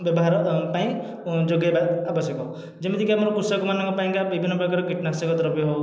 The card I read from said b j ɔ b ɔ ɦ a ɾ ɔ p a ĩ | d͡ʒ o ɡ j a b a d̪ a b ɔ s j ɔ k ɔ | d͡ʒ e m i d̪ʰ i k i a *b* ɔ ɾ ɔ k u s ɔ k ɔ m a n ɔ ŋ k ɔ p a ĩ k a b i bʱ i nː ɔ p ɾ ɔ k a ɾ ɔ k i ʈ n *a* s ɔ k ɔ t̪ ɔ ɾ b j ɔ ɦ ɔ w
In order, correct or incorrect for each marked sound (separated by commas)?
incorrect, correct